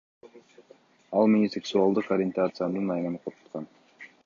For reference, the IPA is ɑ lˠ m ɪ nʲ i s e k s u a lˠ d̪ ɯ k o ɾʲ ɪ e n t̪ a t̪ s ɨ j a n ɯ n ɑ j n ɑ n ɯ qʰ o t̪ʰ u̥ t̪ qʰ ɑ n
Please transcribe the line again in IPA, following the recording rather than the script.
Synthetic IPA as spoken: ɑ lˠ m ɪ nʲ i s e k s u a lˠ d̪ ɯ q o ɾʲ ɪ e n t̪ a t̪ s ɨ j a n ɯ n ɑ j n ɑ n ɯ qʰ o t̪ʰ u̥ t̪ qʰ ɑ n

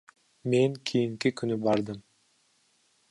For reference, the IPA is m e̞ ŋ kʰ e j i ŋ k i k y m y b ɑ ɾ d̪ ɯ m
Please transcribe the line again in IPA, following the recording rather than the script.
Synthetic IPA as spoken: m e̞ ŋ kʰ i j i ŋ k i k y n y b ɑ ɾ d̪ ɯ m

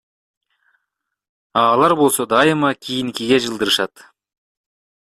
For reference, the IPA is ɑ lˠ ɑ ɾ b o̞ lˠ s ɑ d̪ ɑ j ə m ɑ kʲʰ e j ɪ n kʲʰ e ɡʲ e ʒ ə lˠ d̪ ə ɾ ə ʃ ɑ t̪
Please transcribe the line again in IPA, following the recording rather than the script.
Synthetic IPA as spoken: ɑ lˠ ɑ ɾ b o̞ lˠ s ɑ d̪ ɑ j ə m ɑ kʲʰ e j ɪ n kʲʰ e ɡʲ e ʒ ə lˠ d̪ ə ɾ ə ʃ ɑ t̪

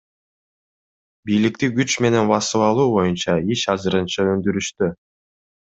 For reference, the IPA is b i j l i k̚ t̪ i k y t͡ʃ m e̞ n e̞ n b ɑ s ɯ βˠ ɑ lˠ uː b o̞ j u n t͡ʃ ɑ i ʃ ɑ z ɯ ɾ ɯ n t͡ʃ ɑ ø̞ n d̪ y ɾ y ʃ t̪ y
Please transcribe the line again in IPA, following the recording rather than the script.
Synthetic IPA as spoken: b i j l i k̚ t̪ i ɡ y t͡ʃ m e̞ n e̞ n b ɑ s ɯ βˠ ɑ lˠ uː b o̞ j u n t͡ʃ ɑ i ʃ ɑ z ɯ ɾ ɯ n t͡ʃ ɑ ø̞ n d̪ y ɾ y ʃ t̪ y

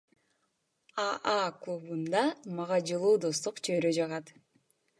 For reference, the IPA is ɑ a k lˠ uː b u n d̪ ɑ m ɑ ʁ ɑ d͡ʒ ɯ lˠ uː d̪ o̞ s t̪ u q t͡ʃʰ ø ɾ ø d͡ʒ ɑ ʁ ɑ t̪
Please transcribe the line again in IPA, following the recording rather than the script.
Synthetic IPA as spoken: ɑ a k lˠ u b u n d̪ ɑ m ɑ ʁ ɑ d͡ʒ ɯ lˠ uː d̪ o̞ s t̪ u q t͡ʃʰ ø ɾ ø d͡ʒ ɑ ʁ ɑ t̪

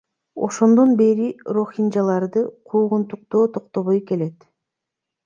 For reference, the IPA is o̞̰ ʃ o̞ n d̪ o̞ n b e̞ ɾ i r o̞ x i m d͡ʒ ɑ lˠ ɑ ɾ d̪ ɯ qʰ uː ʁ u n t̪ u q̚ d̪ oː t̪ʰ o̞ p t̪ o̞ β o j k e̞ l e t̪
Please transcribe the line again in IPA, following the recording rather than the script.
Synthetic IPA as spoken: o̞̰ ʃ o̞ n d̪ o̞ n b e̞ ɾ i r o̞ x i n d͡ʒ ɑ lˠ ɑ ɾ d̪ ɯ qʰ uː ʁ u n t̪ u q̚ t̪ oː t̪ʰ o̞ q t̪ o̞ β o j k e̞ l e t̪

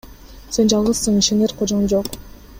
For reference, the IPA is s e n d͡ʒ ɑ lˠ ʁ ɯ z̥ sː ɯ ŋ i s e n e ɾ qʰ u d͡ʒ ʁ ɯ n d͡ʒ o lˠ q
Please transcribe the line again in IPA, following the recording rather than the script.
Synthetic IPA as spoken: s e n d͡ʒ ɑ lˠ ʁ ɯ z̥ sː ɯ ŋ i ʃ e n e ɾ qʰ o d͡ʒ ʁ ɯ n d͡ʒ o q

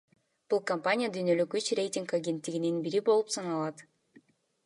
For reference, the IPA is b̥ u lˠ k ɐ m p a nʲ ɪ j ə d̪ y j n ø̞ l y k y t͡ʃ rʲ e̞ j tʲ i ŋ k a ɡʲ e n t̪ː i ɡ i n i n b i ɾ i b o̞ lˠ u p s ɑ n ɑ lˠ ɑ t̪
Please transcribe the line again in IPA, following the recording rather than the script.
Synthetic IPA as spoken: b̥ u lˠ k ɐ m p a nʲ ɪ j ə d̪ y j n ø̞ l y k y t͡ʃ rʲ e̞ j tʲ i ŋ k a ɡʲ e n t̪ː i ɡ i n i n b i ɾ i b o̞ lˠ u p s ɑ n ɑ lˠ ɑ t̪

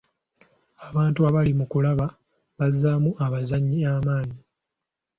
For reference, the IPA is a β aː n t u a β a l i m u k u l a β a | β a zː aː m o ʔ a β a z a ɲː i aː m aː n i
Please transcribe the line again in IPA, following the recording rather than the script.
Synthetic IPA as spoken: a β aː n t u a β a l i m u k u l a β a | β a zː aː m u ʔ a β a z a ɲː i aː m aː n i

